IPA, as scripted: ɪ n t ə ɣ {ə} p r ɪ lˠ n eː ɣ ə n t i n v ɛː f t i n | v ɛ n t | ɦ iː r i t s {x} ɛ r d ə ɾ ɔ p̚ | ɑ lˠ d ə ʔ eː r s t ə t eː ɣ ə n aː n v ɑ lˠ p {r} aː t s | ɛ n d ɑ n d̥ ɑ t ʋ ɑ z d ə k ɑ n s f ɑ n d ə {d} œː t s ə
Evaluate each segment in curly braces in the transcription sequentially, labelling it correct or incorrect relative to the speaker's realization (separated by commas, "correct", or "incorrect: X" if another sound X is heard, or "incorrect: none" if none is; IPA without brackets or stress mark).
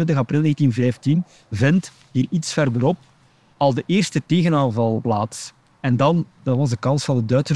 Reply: incorrect: ɑ, incorrect: f, incorrect: l, correct